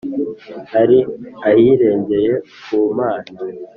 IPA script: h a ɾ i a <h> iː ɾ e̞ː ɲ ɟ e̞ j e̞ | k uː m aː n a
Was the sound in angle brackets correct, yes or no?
yes